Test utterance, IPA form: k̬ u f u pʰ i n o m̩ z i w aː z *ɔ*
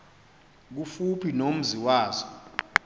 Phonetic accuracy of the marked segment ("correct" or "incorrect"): correct